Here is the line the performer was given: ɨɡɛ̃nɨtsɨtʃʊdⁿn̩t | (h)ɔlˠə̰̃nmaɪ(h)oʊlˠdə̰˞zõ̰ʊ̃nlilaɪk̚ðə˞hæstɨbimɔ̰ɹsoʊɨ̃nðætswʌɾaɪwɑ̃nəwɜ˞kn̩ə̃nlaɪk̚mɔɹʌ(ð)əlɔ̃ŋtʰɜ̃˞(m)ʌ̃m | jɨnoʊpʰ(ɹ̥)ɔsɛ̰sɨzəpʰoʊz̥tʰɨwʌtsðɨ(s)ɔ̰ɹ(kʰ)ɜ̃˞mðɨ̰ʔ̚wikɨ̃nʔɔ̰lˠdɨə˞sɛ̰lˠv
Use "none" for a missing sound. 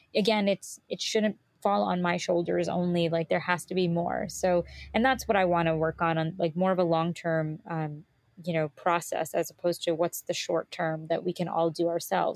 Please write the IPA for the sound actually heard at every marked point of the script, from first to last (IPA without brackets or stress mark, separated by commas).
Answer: f, ʃ, v, m, ɹ̥, ʃ, tʰ